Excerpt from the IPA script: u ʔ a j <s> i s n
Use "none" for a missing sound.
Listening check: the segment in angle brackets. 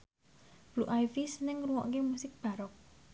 f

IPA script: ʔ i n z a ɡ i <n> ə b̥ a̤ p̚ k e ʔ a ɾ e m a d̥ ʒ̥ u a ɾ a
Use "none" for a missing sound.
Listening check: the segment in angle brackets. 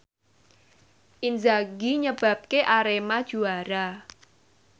ɲ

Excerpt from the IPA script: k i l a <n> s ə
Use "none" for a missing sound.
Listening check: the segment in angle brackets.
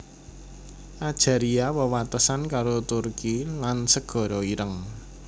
n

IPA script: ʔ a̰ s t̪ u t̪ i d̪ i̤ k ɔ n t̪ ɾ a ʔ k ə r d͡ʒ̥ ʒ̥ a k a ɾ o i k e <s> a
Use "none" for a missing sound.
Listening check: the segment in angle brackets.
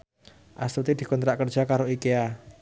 none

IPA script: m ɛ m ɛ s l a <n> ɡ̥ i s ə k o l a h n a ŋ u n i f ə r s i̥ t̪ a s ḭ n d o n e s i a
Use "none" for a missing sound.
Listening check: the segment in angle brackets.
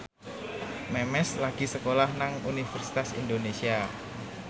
none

